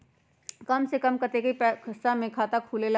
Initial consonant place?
velar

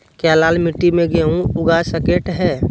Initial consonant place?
velar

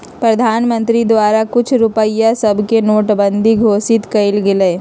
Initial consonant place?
labial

